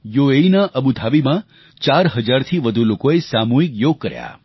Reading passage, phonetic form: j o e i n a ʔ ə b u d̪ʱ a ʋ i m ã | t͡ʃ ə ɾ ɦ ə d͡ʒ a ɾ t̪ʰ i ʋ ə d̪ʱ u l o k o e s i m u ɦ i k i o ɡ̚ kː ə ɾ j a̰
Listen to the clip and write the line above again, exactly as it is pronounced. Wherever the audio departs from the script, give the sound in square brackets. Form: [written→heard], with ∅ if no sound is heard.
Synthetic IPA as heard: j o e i n a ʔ ə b u d̪ʱ a ʋ i m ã | t͡ʃ [ə→a] ɾ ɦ ə d͡ʒ a ɾ t̪ʰ i ʋ ə d̪ʱ u l o k o e s [i→a] m u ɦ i k [i→j] o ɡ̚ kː ə ɾ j a̰

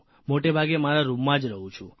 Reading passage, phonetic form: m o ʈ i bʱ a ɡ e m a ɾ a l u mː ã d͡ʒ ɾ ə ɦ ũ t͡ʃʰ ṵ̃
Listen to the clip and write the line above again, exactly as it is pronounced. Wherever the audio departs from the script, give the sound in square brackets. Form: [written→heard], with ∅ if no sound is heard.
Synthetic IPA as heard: m o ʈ [i→e] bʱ a ɡ e m a ɾ a [l→ɾ] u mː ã d͡ʒ ɾ ə ɦ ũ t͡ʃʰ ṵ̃

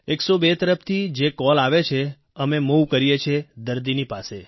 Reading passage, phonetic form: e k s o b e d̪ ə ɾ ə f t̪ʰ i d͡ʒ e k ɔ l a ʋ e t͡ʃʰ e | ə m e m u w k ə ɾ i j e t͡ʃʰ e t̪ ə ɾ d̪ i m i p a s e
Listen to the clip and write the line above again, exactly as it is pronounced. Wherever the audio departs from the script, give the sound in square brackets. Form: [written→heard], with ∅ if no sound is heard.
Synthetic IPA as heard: e k s o b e [d̪→t̪] ə ɾ ə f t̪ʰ i d͡ʒ e k ɔ l a ʋ e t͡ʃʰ e | ə m e m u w k ə ɾ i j e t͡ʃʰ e [t̪→d̪] ə ɾ d̪ i [m→n] i p a s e

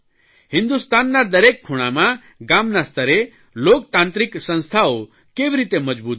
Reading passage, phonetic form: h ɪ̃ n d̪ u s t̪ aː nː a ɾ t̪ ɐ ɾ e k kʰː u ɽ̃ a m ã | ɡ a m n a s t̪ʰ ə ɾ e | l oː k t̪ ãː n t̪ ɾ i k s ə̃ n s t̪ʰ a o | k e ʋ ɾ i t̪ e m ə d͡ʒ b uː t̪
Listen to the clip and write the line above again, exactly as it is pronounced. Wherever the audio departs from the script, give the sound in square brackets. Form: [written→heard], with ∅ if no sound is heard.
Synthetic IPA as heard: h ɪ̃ n d̪ u s t̪ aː nː a ɾ [t̪→d̪] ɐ ɾ e k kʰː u ɽ̃ a m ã | ɡ a m n a s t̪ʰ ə ɾ e | l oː k t̪ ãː n t̪ ɾ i k s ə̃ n s t̪ʰ a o | k e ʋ ɾ i t̪ e m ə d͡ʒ b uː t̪

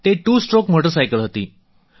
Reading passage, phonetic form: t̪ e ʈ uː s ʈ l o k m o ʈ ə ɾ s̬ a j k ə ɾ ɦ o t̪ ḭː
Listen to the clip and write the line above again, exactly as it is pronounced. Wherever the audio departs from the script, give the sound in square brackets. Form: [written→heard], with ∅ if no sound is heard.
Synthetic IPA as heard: t̪ e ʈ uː s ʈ [l→ɾ] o k m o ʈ ə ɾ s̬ a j k ə [ɾ→l] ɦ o t̪ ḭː

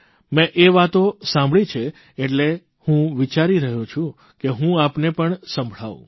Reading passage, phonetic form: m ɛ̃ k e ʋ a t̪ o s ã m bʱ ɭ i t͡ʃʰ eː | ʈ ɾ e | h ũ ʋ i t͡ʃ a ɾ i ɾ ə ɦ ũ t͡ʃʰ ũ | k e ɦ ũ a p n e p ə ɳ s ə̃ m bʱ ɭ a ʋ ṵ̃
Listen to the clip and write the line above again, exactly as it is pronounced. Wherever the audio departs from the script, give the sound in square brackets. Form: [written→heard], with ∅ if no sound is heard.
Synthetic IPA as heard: m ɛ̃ [k→ʔ] e ʋ a t̪ o s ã m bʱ ɭ i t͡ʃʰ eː | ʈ [ɾ→l] e | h ũ ʋ i t͡ʃ a ɾ i ɾ ə ɦ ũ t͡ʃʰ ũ | k e ɦ ũ a p n e p ə ɳ s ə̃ m bʱ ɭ a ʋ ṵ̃

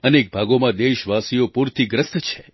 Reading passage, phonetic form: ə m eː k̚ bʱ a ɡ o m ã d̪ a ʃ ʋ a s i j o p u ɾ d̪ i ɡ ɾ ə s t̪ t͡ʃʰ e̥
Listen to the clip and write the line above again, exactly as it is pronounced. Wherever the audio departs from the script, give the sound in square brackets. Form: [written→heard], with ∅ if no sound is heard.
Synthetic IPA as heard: ə [m→n] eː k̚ bʱ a ɡ o m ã d̪ [a→e] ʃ ʋ a s i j o p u ɾ [d̪→t̪] i ɡ ɾ ə s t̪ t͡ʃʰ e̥

